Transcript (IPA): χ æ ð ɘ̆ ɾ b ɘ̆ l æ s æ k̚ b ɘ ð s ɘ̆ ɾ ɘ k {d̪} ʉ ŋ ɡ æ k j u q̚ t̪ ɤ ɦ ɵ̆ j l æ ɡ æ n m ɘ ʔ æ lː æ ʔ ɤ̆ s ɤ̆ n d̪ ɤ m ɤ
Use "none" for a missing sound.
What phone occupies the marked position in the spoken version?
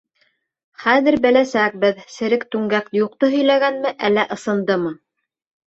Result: t̪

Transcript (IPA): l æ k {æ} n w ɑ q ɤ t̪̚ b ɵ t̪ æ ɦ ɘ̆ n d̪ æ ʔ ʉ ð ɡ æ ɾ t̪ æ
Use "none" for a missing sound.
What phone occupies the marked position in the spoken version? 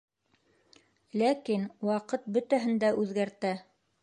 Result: i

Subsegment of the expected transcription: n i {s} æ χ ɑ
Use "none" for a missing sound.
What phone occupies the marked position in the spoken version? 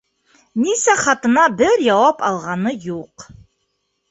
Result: s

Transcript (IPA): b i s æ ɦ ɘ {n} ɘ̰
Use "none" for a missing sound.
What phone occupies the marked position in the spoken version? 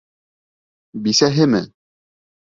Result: m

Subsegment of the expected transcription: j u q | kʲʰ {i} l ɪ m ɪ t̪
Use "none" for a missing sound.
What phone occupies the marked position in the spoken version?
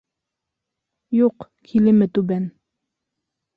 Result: i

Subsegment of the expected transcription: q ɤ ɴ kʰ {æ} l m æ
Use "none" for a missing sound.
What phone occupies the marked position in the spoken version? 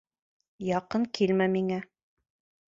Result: i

